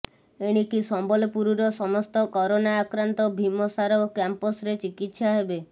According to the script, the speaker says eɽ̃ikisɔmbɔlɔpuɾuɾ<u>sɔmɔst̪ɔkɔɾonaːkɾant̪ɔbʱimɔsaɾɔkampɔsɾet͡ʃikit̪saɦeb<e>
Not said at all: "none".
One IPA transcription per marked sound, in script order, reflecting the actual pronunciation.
ɔ, e

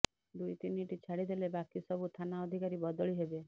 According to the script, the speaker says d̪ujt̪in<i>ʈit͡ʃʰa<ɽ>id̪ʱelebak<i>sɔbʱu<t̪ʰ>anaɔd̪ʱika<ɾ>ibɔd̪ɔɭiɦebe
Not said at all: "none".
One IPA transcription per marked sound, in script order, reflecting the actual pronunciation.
i, ɽ, i, t̪ʰ, ɾ

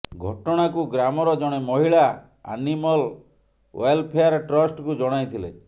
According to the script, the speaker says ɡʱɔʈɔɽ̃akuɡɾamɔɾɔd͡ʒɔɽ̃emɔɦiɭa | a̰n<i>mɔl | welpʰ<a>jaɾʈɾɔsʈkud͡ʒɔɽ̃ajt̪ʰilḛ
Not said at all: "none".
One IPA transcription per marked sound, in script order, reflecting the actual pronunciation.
i, e

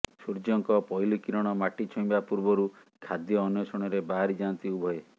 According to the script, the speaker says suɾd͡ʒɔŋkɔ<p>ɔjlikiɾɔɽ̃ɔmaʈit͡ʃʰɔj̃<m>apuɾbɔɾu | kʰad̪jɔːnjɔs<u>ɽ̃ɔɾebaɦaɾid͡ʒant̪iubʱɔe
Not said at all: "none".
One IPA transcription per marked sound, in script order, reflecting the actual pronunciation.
p, b, ɔ

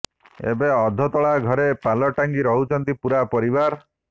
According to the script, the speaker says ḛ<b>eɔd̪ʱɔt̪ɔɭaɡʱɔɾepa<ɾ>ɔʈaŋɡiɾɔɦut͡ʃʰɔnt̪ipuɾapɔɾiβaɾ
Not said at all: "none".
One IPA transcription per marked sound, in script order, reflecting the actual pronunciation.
b, l

